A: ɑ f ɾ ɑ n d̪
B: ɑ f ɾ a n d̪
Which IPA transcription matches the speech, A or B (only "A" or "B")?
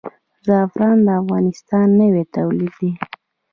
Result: A